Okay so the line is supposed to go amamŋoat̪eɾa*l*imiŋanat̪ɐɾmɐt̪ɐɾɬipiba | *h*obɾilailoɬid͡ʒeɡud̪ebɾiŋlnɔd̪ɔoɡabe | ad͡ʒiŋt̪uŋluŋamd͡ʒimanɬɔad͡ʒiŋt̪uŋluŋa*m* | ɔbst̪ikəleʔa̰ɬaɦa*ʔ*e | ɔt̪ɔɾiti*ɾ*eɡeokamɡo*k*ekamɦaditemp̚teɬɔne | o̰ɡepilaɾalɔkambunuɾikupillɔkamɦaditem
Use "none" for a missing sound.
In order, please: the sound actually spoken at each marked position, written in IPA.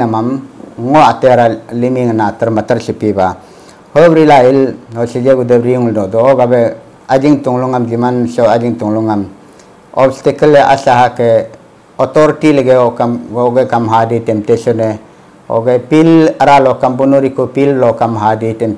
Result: l, h, m, k, l, ɡ

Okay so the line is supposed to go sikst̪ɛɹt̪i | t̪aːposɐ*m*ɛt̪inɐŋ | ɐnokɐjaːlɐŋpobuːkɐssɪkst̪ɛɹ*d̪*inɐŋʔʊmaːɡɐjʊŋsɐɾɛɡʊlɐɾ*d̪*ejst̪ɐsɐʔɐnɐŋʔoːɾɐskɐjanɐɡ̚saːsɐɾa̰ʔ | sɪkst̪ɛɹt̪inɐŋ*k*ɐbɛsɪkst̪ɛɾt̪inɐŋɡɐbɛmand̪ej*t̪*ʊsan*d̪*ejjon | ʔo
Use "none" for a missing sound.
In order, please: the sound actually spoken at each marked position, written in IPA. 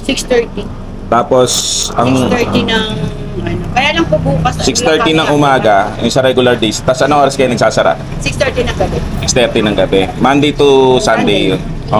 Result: ŋ, t̪, d̪, ɡ, t̪, d̪

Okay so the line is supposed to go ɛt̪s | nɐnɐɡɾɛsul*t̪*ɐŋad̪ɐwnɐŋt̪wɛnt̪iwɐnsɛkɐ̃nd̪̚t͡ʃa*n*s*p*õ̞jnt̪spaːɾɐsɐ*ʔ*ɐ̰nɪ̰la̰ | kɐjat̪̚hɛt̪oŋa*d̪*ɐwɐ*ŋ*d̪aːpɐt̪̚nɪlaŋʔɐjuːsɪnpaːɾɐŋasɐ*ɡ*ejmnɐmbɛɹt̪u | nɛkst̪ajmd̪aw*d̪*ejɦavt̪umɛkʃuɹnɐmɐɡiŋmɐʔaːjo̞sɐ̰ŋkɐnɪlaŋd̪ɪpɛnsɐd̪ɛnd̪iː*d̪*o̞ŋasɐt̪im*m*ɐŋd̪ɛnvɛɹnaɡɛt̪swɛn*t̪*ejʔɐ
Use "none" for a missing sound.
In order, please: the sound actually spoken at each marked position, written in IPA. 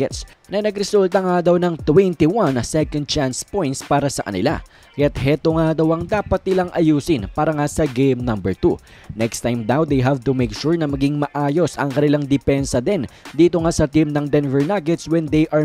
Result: t̪, n, p, k, d̪, ŋ, ɡ, d̪, t̪, n, d̪

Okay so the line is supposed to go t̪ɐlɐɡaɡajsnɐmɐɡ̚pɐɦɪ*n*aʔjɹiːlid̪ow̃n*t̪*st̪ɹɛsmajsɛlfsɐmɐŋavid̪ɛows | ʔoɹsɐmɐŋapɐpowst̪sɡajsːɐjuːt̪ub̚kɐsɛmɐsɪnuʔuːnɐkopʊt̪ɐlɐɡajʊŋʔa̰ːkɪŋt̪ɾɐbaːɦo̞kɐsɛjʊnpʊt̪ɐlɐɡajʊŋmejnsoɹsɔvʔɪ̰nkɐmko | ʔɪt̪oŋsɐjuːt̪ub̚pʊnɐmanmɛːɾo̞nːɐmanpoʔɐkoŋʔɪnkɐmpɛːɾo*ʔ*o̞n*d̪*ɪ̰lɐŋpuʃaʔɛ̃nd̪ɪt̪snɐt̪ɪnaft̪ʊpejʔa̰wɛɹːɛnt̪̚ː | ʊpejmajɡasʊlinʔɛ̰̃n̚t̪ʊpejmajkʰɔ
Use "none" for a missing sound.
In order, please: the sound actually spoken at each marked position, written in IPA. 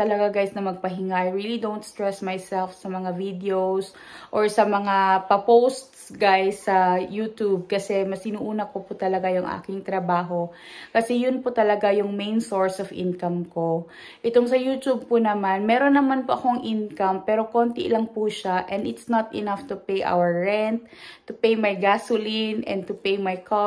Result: ŋ, t̪, k, t̪

